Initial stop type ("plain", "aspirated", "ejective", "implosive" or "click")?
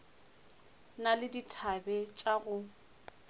plain